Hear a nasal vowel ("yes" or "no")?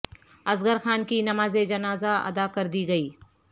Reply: no